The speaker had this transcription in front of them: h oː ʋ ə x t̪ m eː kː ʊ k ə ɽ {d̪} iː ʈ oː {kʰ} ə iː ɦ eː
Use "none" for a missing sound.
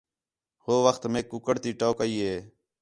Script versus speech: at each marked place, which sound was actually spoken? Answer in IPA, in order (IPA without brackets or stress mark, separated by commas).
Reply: t̪, k